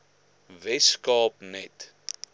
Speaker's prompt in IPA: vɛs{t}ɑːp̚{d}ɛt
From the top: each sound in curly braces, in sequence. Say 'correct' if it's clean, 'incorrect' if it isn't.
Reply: incorrect, incorrect

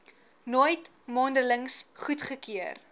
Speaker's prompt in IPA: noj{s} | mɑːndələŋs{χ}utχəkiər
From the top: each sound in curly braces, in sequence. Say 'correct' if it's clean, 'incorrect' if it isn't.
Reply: incorrect, correct

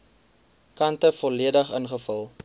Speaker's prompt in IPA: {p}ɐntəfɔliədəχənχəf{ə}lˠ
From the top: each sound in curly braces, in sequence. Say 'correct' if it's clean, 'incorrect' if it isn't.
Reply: incorrect, correct

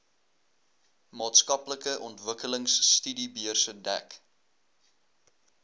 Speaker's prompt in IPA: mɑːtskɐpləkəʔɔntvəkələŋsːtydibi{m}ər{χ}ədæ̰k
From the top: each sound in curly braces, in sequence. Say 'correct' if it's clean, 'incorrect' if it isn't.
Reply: incorrect, incorrect

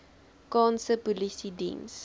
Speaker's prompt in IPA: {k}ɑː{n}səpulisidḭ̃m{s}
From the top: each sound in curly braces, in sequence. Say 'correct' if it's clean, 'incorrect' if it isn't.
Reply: correct, correct, correct

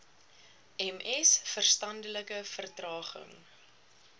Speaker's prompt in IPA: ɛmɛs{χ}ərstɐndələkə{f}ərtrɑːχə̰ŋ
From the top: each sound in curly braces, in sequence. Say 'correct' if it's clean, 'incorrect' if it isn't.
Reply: incorrect, correct

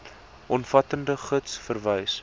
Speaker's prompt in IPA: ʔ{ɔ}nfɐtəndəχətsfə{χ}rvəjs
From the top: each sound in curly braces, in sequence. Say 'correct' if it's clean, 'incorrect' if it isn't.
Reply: correct, incorrect

